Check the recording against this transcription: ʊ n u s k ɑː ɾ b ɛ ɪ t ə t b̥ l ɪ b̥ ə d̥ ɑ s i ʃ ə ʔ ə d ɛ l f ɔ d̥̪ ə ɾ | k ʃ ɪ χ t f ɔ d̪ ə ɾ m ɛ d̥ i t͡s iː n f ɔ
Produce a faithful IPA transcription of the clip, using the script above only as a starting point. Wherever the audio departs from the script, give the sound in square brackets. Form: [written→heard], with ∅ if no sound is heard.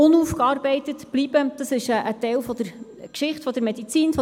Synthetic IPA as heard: ʊ n u [s→f] k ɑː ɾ b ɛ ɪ t ə t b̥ l [ɪ→i] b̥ ə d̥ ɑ s [i→ɪ] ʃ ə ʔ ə [d→t] ɛ l f ɔ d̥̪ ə ɾ | k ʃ ɪ χ t f ɔ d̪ ə ɾ m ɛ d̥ i t͡s iː n f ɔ